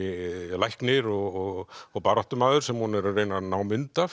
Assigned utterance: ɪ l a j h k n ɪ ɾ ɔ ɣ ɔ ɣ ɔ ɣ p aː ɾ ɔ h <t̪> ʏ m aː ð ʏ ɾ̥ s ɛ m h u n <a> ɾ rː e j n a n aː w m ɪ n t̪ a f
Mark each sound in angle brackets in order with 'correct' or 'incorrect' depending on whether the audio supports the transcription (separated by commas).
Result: correct, incorrect